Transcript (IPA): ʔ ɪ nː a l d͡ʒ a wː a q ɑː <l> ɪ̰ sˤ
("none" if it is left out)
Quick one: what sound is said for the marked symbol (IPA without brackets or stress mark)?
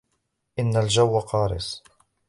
ɾ